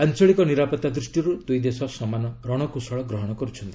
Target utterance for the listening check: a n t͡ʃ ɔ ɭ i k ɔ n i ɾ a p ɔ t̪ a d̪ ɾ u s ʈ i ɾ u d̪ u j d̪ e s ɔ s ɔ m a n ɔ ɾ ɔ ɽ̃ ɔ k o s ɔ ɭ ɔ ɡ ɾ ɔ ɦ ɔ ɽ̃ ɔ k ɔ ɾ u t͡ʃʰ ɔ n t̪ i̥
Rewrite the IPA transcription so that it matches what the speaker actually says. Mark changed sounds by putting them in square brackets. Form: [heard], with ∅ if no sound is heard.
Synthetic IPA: a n t͡ʃ ɔ ɭ i k ɔ n i ɾ a p ɔ t̪ a d̪ ɾ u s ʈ i ɾ u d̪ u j d̪ e s ɔ s ɔ m a n ɔ ɾ ɔ ɽ̃ ɔ k [u] s ɔ ɭ ɔ ɡ ɾ ɔ ɦ ɔ ɽ̃ ɔ k ɔ ɾ u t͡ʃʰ ɔ n t̪ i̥